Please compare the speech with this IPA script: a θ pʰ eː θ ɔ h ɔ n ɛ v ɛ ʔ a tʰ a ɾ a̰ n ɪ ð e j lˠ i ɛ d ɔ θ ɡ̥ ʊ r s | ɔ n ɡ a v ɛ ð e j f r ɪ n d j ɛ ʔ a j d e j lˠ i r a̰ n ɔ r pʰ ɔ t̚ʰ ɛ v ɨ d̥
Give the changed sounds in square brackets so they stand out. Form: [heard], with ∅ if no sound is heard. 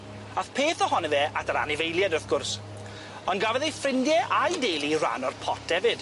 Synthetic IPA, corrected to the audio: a θ pʰ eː θ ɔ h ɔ n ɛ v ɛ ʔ a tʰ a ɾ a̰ n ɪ [v] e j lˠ [j] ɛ d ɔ θ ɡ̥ ʊ r s | ɔ n ɡ a v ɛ ð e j f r ɪ n d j ɛ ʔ a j d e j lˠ i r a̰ n ɔ r pʰ ɔ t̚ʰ ɛ v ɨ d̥